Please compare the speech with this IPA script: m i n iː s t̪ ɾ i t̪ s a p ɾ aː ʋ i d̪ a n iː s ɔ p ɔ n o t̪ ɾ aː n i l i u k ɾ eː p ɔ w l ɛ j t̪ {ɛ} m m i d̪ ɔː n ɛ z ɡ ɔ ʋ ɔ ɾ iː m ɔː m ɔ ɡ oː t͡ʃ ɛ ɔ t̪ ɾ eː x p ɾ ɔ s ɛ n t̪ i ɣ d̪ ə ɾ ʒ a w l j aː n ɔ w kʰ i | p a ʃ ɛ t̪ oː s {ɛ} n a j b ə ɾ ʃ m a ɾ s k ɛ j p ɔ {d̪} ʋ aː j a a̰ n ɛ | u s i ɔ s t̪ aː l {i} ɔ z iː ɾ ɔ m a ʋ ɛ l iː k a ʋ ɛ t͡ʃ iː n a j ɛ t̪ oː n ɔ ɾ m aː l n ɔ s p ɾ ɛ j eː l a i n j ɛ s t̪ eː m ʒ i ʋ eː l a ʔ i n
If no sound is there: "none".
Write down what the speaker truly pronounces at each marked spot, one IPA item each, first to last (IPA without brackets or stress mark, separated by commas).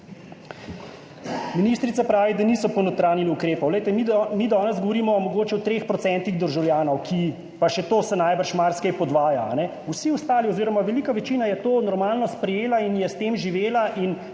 ɛ, ɛ, d̪, i